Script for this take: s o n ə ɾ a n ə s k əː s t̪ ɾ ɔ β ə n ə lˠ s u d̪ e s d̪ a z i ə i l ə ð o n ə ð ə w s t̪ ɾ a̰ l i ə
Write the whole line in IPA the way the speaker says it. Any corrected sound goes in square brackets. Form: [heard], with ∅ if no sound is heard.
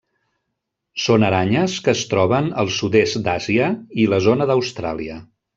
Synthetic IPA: s o n ə ɾ a [ɲ] ə s k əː s t̪ ɾ ɔ β ə n ə lˠ s u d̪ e s d̪ a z i ə i l ə [z] o n ə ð ə w s t̪ ɾ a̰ l i ə